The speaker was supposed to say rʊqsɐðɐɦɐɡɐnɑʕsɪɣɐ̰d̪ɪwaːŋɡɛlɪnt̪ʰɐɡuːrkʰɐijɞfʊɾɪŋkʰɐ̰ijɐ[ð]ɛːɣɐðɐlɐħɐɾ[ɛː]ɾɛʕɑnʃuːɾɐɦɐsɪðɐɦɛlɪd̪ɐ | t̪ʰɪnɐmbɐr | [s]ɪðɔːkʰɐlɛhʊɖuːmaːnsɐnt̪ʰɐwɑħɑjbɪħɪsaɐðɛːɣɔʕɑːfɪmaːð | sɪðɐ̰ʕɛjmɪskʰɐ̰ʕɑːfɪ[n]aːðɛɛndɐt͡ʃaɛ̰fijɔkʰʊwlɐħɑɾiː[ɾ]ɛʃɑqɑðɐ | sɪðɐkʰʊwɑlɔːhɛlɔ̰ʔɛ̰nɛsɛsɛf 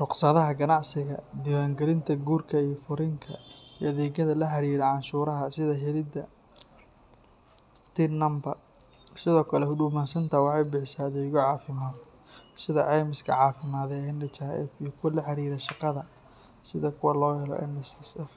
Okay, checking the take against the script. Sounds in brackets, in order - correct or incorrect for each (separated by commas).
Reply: correct, incorrect, correct, incorrect, correct